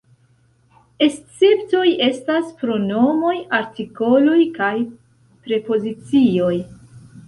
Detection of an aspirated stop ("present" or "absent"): absent